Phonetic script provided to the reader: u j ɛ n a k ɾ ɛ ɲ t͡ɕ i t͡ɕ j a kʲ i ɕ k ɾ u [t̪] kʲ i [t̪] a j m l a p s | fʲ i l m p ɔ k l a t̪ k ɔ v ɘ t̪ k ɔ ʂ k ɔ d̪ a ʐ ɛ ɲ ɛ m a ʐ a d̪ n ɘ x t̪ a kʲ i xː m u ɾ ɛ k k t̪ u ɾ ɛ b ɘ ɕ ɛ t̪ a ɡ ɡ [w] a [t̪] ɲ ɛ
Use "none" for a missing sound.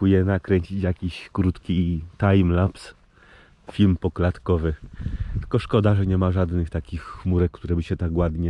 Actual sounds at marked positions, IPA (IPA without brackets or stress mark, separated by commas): t̪, t̪, w, d̪